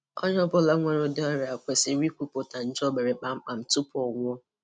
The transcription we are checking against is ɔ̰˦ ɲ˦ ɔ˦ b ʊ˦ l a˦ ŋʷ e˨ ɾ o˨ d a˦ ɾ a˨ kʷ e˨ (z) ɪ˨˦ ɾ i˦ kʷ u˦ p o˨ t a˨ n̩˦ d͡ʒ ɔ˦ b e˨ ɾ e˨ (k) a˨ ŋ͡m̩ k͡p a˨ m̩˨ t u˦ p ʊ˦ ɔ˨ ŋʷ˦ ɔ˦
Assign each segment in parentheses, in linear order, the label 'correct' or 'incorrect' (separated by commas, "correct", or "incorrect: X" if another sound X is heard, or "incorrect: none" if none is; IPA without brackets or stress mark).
incorrect: s, incorrect: k͡p